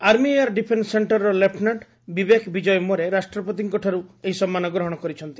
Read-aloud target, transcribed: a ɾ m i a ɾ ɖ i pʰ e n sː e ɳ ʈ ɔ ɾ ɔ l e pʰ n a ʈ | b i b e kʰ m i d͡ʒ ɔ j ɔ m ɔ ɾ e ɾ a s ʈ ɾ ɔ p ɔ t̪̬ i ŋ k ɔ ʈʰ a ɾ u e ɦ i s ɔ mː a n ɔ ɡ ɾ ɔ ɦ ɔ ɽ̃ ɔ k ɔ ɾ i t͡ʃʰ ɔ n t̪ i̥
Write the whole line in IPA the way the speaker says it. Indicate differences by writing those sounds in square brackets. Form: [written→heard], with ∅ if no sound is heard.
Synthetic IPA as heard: a ɾ m i a ɾ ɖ i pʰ e n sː e ɳ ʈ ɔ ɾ ɔ l e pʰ n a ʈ | b i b e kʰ [m→b] i d͡ʒ ɔ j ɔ m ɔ ɾ e ɾ a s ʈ ɾ ɔ p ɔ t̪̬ i ŋ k ɔ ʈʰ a ɾ u e ɦ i s ɔ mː a n ɔ ɡ ɾ ɔ ɦ ɔ ɽ̃ ɔ k ɔ ɾ i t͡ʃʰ ɔ n t̪ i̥